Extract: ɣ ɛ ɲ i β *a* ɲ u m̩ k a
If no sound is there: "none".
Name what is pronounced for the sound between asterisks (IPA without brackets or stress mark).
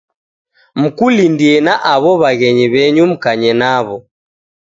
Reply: ɛ